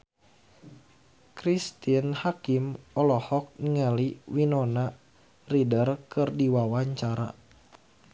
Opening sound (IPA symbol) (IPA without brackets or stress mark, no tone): k